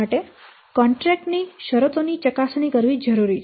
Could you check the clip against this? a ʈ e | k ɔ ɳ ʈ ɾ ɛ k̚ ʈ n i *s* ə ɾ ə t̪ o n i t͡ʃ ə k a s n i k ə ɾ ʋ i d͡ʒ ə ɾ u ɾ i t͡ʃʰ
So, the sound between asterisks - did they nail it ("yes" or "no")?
no